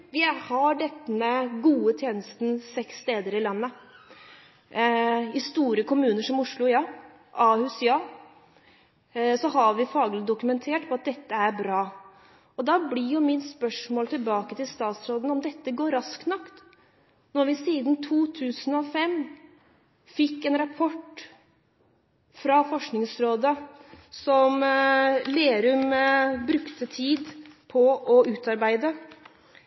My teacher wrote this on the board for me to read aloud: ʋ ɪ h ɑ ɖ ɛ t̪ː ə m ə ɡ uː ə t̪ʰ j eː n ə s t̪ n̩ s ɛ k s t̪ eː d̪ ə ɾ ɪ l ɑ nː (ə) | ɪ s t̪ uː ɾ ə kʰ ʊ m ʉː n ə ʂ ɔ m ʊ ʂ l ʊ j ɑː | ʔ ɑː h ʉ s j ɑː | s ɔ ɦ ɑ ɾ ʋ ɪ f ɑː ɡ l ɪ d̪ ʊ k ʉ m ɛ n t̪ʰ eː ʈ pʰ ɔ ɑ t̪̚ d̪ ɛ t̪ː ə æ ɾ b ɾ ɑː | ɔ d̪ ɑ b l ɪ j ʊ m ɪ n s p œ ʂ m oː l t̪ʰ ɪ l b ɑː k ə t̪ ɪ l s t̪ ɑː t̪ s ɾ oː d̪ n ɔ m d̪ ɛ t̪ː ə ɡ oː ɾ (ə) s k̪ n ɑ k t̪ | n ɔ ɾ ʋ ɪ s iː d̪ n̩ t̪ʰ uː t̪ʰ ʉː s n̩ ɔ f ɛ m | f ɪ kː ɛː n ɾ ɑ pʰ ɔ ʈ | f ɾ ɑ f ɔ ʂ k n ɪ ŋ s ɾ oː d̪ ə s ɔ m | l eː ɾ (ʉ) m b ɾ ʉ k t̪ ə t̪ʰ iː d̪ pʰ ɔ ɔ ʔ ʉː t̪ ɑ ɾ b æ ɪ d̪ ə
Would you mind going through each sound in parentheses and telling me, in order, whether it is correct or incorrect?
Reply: correct, incorrect: ɑ, correct

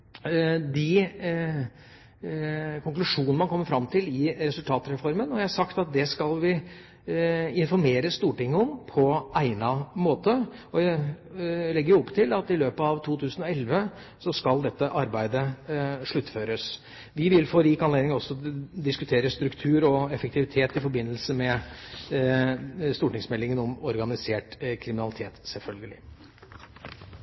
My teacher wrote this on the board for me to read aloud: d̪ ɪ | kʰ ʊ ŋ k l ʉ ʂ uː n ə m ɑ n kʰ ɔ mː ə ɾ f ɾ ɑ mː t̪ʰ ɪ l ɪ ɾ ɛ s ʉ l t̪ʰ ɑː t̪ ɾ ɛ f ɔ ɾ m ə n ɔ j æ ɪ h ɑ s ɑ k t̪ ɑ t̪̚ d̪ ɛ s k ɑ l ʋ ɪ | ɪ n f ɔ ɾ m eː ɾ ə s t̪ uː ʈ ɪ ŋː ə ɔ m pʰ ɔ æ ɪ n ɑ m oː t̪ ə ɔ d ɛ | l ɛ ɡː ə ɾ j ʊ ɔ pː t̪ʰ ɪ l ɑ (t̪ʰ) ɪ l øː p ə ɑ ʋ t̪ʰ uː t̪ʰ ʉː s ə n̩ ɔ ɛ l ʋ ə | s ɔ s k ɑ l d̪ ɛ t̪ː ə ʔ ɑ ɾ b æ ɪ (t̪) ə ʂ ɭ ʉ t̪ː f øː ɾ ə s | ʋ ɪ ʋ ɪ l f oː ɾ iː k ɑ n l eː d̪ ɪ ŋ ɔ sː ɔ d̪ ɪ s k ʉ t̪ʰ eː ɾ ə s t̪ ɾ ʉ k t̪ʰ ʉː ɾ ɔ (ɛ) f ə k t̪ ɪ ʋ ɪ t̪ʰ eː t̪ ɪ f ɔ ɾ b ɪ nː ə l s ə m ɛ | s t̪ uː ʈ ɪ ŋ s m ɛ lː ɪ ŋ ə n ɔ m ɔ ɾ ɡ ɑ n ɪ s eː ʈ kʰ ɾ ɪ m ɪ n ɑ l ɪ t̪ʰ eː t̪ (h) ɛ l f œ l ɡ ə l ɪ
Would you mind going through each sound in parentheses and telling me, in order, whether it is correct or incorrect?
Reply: incorrect: t̪, incorrect: d̪, correct, incorrect: s

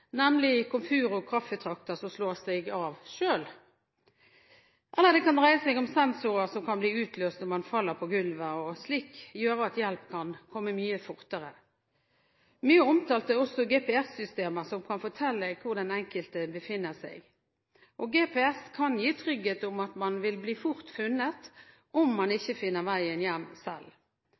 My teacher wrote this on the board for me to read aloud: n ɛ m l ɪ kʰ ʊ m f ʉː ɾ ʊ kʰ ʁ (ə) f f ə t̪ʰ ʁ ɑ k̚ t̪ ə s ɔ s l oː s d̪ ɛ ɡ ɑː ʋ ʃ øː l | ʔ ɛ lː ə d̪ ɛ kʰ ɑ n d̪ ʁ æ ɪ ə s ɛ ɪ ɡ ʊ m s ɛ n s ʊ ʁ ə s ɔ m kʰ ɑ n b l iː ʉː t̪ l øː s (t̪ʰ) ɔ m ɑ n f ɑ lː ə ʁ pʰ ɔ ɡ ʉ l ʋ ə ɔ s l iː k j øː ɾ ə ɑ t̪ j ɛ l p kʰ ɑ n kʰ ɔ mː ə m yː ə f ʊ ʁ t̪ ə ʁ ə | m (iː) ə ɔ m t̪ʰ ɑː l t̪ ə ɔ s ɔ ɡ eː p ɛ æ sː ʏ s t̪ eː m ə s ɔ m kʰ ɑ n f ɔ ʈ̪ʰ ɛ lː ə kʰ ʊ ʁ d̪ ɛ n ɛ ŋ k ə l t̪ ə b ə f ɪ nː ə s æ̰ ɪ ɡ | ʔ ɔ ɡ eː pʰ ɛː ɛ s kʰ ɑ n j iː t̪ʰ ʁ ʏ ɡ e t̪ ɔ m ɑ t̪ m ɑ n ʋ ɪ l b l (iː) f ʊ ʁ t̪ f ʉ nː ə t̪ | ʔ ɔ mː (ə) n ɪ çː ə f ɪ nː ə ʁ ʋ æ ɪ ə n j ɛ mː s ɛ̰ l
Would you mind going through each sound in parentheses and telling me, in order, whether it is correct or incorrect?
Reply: incorrect: ɑ, incorrect: t̪, incorrect: yː, correct, incorrect: ɑ

